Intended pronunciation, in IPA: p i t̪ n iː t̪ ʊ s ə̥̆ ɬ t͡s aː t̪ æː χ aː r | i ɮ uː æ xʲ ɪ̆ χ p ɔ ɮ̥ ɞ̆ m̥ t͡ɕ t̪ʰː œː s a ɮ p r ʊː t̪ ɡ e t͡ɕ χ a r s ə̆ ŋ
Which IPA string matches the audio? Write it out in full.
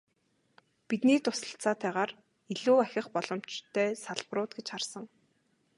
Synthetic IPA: p i t̪ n iː t̪ ʊ s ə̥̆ ɬ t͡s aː t̪ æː ʁ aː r | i ɮ uː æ xʲ ɪ̆ χ p ɔ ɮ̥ ɞ̆ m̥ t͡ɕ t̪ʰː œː s a ɮ p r ʊː t̪ ɡ e t͡ɕ χ a r s ə̆ ŋ